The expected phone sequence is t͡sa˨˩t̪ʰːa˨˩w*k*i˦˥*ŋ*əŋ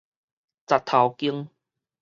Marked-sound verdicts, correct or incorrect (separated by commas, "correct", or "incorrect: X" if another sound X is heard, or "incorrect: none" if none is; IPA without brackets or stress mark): correct, incorrect: none